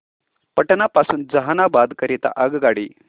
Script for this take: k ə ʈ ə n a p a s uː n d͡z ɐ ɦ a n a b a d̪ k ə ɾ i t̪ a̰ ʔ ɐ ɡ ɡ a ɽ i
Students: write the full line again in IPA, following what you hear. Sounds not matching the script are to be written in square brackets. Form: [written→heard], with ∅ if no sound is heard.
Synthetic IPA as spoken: [k→p] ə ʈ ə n a p a s uː n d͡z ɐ ɦ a n a b a d̪ k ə ɾ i t̪ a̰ ʔ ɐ ɡ ɡ a ɽ i

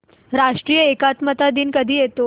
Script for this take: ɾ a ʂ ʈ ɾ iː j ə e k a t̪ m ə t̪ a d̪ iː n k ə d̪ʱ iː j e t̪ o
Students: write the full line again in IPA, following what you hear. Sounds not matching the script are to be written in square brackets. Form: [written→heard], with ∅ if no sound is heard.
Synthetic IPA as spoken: ɾ a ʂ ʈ ɾ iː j ə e k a t̪ m ə t̪ a d̪ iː n k ə d̪ʱ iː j e t̪ o

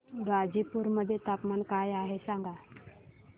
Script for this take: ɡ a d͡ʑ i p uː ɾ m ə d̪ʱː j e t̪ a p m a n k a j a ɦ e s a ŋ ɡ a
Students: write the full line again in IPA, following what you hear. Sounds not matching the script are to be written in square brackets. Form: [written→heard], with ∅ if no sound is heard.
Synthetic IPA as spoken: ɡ a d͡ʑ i p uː ɾ m ə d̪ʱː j e t̪ a p m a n k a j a ɦ e s a ŋ ɡ a

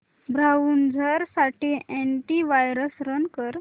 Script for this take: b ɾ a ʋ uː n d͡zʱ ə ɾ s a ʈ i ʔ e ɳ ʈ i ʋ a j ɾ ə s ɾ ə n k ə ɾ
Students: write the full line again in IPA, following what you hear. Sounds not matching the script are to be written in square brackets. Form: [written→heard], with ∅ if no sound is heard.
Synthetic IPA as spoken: b ɾ a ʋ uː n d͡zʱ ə ɾ s a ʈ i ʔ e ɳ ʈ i ʋ a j ɾ ə s ɾ ə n k ə ɾ

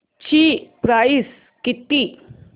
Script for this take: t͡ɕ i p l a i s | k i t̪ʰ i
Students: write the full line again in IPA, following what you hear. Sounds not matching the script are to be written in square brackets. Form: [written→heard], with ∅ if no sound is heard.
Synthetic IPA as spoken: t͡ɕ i p [l→ɾ] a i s | k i [t̪ʰ→t̪] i

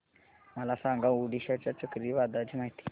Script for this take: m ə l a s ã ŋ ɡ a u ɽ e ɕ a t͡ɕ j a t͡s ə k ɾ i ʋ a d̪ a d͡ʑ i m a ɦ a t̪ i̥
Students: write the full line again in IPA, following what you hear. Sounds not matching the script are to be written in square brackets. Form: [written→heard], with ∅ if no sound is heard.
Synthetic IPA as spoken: m ə l a s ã ŋ ɡ a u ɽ [e→i] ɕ a t͡ɕ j a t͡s ə k ɾ i ʋ a d̪ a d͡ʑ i m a ɦ [a→i] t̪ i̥

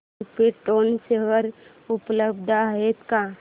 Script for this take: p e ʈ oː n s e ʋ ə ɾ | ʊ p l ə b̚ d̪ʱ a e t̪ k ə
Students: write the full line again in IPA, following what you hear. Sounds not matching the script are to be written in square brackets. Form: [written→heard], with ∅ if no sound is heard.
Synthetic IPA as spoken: p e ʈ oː n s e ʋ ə ɾ | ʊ p l ə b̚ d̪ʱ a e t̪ k [ə→a]

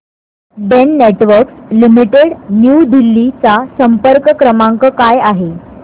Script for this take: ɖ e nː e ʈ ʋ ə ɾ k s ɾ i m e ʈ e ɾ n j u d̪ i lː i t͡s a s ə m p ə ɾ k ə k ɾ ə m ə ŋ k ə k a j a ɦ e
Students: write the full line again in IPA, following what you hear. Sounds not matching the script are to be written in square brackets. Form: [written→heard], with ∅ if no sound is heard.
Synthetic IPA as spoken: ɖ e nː e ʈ ʋ ə ɾ k s [ɾ→l] i m [e→i] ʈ e [ɾ→ɽ] n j u d̪ i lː i t͡s a s ə m p ə ɾ k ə k ɾ ə m [ə→a] ŋ k ə k a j a ɦ e

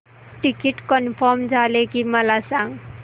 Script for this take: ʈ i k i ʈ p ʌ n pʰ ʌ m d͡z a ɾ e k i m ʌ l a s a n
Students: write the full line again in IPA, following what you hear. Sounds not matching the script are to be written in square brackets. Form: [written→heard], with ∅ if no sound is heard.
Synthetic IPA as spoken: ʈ i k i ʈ [p→k] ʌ n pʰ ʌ m d͡z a [ɾ→l] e k i m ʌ l a s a [n→ŋ]

